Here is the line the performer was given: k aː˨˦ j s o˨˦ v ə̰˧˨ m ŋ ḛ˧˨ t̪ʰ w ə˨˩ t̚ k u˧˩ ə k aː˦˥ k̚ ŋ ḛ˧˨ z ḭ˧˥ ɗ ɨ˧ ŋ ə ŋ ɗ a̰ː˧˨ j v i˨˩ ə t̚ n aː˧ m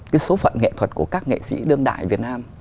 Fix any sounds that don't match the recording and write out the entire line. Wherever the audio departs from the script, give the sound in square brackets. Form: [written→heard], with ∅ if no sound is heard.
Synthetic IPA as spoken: k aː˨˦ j s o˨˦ [v→f] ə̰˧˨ [m→n] ŋ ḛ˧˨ t̪ʰ w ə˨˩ t̚ k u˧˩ ə k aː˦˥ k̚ ŋ ḛ˧˨ [z→s] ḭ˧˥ ɗ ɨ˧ [ŋ→∅] ə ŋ ɗ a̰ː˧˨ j v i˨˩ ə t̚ n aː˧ m